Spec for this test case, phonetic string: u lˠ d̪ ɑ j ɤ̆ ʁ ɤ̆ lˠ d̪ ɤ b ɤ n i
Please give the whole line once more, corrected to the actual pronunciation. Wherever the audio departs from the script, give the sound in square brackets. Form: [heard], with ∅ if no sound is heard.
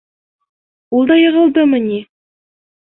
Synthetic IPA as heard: u lˠ d̪ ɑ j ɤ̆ ʁ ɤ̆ lˠ d̪ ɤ [m] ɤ n i

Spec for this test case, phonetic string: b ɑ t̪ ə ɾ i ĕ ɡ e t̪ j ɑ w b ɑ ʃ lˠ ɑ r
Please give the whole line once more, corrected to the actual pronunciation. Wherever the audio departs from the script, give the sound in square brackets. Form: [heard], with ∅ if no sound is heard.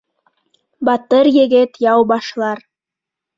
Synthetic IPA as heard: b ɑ t̪ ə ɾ [j] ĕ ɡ e t̪ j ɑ w b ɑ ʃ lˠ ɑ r

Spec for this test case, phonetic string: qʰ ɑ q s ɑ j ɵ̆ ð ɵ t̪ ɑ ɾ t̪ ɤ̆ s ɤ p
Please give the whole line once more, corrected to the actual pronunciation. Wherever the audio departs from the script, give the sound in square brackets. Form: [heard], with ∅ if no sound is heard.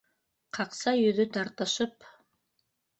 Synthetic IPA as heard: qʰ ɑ q s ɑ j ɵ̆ ð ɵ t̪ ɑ ɾ t̪ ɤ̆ [ʃ] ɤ p

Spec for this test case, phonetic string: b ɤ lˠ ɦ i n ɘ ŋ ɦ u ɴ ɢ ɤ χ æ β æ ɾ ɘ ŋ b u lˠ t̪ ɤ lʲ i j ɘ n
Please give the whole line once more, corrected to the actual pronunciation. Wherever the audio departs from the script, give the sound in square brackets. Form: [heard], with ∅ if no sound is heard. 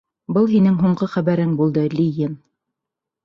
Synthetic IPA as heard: b ɤ lˠ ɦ i n ɘ ŋ ɦ u ɴ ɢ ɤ χ æ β æ ɾ ɘ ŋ b u lˠ [d̪] ɤ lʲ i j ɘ n

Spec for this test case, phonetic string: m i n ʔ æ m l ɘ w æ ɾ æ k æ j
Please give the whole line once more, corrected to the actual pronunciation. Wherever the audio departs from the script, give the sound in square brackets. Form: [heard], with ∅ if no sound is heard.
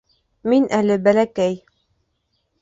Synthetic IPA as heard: m i n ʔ æ [∅] l ɘ [b] æ [l] æ k æ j

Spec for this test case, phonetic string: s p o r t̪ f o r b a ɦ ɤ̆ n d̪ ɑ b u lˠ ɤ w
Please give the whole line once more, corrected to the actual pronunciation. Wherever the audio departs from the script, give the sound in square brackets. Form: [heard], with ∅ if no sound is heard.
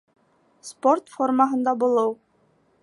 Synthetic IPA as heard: s p o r t̪ f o r [m] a ɦ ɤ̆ n d̪ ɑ b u lˠ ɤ w

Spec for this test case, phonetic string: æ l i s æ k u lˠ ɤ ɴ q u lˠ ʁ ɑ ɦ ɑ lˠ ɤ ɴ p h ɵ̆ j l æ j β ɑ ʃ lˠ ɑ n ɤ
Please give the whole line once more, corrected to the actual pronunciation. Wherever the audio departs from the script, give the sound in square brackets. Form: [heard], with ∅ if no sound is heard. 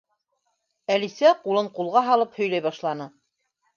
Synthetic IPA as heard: æ l i s æ [q] u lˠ ɤ ɴ q u lˠ ʁ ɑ ɦ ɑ lˠ ɤ [∅] p h ɵ̆ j l æ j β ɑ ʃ lˠ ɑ n ɤ

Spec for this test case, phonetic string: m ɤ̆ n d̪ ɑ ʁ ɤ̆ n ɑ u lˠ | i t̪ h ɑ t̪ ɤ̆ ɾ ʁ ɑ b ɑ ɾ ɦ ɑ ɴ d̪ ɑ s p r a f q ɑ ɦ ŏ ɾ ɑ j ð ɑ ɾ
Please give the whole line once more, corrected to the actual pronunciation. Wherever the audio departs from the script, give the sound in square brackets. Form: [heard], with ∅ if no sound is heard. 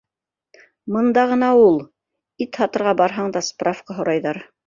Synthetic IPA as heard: m ɤ̆ n d̪ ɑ ʁ ɤ̆ n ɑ u lˠ | i t̪ h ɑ t̪ ɤ̆ ɾ ʁ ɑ b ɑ ɾ ɦ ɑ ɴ d̪ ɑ s p r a f q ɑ ɦ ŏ ɾ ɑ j ð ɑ ɾ

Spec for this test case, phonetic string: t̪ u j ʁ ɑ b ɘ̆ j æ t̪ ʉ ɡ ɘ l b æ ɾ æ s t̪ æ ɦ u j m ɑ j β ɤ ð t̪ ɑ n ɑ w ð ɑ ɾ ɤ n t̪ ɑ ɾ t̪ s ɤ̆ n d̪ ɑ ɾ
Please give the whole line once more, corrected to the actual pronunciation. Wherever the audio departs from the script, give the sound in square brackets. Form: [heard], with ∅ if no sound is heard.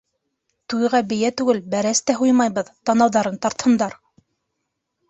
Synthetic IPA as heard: t̪ u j ʁ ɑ b ɘ̆ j æ t̪ ʉ ɡ ɘ l b æ ɾ æ s t̪ æ ɦ u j m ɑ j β ɤ ð t̪ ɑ n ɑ w ð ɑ ɾ ɤ n t̪ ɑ ɾ t̪ [h] ɤ̆ n d̪ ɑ ɾ

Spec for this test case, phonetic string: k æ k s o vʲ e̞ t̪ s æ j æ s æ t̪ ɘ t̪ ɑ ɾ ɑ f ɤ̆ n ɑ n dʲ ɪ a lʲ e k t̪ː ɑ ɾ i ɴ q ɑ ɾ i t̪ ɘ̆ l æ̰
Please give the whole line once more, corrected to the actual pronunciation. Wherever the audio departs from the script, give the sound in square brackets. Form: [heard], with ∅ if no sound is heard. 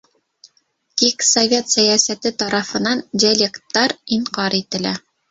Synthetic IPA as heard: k [i] k s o vʲ e̞ t̪ s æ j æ s æ t̪ ɘ t̪ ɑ ɾ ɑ f ɤ̆ n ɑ n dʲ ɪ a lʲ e k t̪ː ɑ ɾ i ɴ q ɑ ɾ i t̪ ɘ̆ l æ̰

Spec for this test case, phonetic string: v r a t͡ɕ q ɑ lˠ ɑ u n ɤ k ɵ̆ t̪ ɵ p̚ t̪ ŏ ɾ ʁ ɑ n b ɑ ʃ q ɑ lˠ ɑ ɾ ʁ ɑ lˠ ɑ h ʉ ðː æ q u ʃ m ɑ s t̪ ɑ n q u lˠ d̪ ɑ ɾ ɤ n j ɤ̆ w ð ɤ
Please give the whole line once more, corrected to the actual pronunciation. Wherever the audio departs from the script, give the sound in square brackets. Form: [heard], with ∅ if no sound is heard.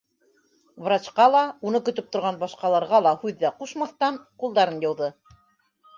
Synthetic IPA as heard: v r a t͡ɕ q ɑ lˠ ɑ u n ɤ k ɵ̆ t̪ ɵ p̚ t̪ ŏ ɾ ʁ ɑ n b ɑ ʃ q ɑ lˠ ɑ ɾ ʁ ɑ lˠ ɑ h ʉ ðː æ q u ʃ m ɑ [θ] t̪ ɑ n q u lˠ d̪ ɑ ɾ ɤ n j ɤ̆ w ð ɤ

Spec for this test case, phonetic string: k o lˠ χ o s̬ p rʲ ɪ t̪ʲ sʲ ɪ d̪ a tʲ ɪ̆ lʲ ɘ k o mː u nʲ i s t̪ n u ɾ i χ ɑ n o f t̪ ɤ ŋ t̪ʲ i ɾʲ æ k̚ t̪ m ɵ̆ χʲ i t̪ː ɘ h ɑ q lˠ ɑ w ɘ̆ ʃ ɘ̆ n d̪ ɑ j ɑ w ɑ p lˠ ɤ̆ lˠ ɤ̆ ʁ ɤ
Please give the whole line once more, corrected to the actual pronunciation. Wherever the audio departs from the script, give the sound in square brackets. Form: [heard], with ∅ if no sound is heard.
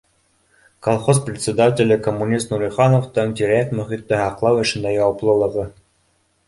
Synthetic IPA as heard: k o lˠ χ o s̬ p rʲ ɪ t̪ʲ sʲ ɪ d̪ a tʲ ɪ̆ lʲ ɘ k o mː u nʲ i s t̪ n u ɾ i χ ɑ n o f t̪ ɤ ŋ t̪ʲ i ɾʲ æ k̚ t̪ m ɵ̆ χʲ i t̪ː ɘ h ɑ q lˠ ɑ w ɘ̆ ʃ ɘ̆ n d̪ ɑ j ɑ w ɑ p lˠ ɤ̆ lˠ ɤ̆ ʁ ɤ

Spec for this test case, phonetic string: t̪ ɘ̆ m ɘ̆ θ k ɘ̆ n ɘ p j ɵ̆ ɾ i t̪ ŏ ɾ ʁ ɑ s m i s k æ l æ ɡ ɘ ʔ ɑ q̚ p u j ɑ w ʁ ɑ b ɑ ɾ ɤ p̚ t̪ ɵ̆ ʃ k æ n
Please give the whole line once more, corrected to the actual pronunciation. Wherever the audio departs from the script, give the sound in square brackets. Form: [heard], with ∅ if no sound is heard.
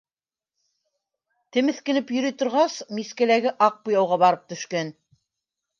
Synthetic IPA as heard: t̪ ɘ̆ m ɘ̆ θ k ɘ̆ n ɘ p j ɵ̆ ɾ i t̪ ŏ ɾ ʁ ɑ s m i s k æ l æ ɡ ɘ ʔ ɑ q̚ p u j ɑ w ʁ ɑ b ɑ ɾ ɤ p̚ t̪ ɵ̆ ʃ k æ n

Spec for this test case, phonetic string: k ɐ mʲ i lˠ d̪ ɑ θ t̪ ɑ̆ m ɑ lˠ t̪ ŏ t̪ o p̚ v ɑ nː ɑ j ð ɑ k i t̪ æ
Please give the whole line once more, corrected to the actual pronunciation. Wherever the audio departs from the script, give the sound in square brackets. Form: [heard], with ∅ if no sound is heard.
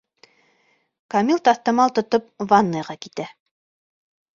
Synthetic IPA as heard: k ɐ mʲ i lˠ [t̪] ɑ θ t̪ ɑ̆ m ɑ lˠ t̪ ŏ t̪ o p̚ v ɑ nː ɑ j [ʁ] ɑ k i t̪ æ

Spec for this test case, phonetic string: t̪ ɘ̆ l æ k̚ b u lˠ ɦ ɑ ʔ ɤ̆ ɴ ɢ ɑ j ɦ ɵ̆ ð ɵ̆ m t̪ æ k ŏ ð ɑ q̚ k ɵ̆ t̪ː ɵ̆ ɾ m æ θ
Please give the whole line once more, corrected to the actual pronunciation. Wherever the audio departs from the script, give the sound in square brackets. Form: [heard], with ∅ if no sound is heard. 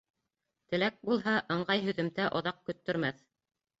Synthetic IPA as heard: t̪ ɘ̆ l æ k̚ b u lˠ ɦ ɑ ʔ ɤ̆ ɴ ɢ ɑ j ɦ ɵ̆ ð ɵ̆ m t̪ æ [ʔ] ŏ ð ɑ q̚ k ɵ̆ t̪ː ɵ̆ ɾ m æ θ

